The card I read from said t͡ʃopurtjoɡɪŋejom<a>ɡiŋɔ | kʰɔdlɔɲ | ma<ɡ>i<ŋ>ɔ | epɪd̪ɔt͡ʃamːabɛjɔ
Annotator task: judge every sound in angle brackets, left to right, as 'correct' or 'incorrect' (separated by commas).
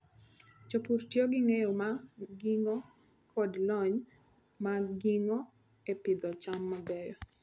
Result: correct, correct, correct